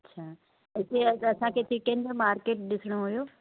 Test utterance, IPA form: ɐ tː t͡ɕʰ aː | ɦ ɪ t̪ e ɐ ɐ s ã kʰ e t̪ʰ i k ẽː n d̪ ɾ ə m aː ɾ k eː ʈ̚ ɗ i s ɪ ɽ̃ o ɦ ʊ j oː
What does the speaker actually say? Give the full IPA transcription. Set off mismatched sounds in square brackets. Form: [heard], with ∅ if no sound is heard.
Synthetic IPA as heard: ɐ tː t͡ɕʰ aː | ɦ ɪ t̪ e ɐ ɐ s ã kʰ e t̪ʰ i k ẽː n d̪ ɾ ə m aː ɾ k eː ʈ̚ ɗ [ɪ] s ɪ ɽ̃ o ɦ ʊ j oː